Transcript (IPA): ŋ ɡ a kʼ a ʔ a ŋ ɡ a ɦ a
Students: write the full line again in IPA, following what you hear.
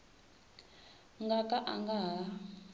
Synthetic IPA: ŋ ɡ a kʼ a ʔ a ŋ ɡ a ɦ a